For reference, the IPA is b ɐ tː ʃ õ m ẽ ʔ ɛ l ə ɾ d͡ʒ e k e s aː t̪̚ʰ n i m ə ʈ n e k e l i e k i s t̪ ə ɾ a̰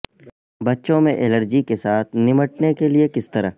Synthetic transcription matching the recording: b ɐ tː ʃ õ m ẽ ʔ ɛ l ə ɾ d͡ʒ i k e s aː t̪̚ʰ n ɪ m ə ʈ n e k e l i e k ɪ s t̪ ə ɾ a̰